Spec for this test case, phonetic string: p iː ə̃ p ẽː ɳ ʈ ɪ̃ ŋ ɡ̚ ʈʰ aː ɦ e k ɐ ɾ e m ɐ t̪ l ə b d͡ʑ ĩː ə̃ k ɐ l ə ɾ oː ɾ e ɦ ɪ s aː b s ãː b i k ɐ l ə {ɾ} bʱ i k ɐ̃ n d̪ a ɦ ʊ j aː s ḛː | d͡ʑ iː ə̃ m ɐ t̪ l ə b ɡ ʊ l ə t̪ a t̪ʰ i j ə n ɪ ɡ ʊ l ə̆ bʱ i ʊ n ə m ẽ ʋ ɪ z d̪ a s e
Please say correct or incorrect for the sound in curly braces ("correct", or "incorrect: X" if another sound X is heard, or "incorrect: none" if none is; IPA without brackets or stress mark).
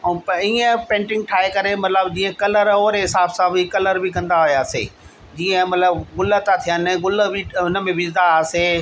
correct